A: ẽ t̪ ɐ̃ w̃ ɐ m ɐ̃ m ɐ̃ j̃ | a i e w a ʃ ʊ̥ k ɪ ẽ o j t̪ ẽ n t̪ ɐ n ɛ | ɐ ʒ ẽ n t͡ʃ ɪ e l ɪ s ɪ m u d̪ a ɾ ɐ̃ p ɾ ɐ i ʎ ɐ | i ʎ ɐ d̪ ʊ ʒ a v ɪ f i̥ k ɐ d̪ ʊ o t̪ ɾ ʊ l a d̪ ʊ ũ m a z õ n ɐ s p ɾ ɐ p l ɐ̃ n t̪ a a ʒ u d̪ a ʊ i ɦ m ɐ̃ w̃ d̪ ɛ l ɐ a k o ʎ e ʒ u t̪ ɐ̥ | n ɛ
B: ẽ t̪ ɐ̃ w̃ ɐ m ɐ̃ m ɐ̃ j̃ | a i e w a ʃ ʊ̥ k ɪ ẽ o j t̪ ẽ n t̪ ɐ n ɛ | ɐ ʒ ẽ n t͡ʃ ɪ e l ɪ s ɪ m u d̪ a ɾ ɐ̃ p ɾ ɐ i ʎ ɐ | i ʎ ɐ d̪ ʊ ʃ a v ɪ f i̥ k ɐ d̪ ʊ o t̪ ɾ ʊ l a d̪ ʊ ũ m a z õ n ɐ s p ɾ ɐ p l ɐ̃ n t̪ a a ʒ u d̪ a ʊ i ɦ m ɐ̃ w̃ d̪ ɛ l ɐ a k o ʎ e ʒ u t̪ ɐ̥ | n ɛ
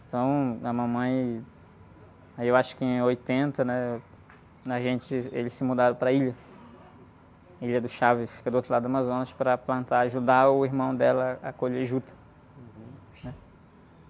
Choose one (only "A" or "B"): B